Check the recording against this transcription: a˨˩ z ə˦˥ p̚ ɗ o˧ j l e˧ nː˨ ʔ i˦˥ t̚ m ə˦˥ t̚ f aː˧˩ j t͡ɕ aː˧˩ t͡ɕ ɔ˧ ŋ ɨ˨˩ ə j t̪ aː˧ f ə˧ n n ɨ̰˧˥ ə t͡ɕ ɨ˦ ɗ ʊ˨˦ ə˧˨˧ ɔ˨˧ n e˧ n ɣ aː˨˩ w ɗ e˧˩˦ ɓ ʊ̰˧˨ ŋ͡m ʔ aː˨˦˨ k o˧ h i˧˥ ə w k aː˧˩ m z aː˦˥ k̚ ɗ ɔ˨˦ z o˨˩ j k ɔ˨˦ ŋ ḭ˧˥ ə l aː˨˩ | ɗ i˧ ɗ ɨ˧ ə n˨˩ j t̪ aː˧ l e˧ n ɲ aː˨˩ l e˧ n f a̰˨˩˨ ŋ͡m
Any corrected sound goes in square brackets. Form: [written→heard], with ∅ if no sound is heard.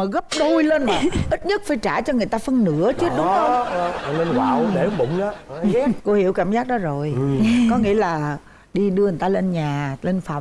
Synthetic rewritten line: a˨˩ [z→ɣ] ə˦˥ p̚ ɗ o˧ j l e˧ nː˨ ʔ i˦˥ t̚ [m→ɲ] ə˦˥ t̚ f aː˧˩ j t͡ɕ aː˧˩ t͡ɕ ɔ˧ ŋ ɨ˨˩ ə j t̪ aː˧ f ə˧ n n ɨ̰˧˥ ə t͡ɕ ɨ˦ ɗ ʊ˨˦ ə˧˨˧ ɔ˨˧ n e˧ n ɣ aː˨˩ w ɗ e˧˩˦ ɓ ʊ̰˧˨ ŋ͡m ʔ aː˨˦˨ k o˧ h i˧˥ ə w k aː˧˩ m z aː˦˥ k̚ ɗ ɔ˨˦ z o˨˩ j k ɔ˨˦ ŋ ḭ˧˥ ə l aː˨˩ | ɗ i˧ ɗ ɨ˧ ə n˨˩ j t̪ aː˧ l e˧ n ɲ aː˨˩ l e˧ n f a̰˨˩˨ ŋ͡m